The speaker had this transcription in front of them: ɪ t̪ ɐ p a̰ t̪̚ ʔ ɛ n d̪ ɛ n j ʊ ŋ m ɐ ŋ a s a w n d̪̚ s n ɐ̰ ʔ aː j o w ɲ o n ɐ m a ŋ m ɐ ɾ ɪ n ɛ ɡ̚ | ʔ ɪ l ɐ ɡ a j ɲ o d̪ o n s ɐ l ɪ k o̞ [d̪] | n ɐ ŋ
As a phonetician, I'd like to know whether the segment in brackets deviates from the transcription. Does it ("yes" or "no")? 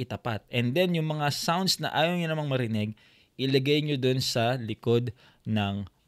no